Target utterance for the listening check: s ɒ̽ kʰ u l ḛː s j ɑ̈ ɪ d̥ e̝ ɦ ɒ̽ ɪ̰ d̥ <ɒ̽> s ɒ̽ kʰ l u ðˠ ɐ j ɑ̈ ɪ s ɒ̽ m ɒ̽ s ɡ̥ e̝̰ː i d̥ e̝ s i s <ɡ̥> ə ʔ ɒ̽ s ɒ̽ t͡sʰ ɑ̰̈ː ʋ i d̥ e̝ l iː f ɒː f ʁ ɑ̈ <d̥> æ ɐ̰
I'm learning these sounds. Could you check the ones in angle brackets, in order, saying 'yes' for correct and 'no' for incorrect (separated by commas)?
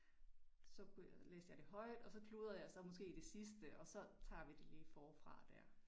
yes, no, yes